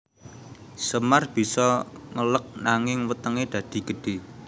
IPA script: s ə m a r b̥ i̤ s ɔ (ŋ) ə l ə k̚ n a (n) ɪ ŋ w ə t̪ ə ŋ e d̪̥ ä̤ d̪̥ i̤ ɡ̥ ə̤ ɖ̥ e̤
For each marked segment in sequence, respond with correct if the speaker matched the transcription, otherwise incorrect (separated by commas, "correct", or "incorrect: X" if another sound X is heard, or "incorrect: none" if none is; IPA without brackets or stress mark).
correct, incorrect: ŋ